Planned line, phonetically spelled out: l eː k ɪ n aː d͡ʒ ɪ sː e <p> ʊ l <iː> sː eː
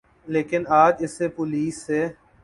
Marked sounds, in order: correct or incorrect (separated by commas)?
correct, correct